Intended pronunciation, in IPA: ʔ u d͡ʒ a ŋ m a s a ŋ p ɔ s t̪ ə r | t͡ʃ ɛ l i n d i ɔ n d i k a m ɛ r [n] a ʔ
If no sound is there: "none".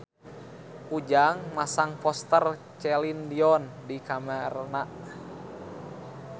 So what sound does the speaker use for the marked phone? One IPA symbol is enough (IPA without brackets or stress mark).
n